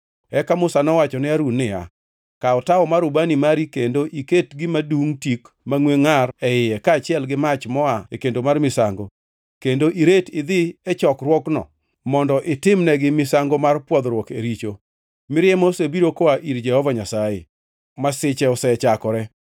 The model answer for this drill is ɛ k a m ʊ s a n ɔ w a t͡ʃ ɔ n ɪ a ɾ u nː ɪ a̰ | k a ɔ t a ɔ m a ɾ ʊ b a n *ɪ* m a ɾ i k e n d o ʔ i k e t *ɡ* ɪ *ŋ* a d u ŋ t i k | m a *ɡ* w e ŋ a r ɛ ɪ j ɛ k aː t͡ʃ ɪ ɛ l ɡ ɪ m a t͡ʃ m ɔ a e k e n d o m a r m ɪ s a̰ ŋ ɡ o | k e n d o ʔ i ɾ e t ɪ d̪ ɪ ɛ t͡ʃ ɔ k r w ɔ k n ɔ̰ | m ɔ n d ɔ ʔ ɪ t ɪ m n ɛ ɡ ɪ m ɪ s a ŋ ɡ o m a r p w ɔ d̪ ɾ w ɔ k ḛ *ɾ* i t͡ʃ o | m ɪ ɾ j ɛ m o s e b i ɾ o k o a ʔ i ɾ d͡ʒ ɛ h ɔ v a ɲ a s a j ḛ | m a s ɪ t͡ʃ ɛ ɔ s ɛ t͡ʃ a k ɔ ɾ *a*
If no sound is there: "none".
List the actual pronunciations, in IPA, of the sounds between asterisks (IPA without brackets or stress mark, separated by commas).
i, ɡ, m, ŋ, ɾ, ɛ